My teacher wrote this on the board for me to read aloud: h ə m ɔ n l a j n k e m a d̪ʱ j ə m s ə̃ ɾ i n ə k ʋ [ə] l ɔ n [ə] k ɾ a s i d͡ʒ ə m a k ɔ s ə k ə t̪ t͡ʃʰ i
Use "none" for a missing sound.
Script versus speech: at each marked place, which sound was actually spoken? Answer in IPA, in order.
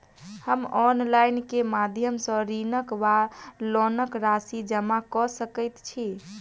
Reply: a, ə

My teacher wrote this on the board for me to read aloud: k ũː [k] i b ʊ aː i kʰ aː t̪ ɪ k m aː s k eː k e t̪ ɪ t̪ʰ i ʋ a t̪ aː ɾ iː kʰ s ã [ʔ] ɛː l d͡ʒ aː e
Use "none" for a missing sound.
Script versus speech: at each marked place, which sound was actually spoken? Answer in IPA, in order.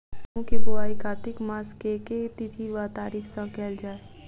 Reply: k, k

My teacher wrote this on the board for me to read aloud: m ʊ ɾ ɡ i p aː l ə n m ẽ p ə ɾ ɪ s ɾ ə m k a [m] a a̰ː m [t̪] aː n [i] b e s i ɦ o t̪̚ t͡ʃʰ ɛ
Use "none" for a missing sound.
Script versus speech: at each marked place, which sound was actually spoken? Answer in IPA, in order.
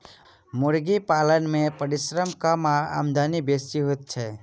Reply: m, d̪, i

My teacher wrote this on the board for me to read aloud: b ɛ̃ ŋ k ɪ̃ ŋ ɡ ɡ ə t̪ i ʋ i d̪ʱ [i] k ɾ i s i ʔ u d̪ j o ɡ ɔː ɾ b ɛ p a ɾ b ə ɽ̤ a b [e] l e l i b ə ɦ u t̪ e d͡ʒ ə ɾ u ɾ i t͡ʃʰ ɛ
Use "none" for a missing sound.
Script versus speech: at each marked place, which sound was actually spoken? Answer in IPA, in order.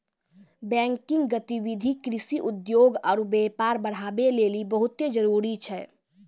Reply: i, e

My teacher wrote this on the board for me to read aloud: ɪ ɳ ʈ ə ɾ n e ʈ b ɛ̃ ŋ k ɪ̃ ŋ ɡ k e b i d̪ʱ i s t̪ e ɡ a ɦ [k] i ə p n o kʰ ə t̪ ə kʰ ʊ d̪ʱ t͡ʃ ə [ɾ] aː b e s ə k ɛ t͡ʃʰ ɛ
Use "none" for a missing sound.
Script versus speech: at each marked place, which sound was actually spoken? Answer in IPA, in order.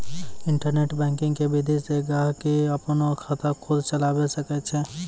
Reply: k, l

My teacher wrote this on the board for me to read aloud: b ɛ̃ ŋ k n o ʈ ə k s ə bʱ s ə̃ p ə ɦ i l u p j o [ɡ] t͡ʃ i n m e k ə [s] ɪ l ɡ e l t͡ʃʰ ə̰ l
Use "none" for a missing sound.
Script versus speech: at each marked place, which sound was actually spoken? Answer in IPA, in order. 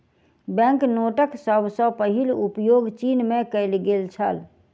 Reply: ɡ, none

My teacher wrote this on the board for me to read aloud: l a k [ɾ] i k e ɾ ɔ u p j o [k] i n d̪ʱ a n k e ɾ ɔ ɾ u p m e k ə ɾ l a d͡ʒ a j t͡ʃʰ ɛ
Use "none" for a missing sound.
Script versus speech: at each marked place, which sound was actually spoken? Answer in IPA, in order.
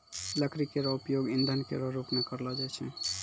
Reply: ɾ, ɡ

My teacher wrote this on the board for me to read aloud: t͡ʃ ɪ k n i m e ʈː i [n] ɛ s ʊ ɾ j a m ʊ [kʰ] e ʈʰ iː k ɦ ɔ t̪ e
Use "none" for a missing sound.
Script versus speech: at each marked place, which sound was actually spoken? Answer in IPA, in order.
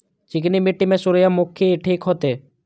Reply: m, kʰ

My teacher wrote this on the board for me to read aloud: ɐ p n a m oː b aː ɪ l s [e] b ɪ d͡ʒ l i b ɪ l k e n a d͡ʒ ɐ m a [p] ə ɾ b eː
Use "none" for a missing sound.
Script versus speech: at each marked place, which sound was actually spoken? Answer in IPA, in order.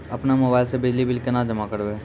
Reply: e, k

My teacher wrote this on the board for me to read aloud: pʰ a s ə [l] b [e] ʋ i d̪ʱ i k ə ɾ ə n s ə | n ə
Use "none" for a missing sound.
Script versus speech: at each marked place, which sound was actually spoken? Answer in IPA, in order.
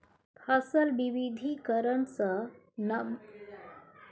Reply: l, i

